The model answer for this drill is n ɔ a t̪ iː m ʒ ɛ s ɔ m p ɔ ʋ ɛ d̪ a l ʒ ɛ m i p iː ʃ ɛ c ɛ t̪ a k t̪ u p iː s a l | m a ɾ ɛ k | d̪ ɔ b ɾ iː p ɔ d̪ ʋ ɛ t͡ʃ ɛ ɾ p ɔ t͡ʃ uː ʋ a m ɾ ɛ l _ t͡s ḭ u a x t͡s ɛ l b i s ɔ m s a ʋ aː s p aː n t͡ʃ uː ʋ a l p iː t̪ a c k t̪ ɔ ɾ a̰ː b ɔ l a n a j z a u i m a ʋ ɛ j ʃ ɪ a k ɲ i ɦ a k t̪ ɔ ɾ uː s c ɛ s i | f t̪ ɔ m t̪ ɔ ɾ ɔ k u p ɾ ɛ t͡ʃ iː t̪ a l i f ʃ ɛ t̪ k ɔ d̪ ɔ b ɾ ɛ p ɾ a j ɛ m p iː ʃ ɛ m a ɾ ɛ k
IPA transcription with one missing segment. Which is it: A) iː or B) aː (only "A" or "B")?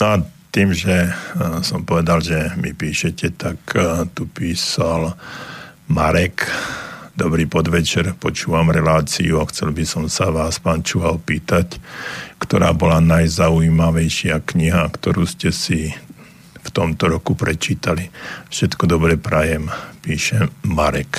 B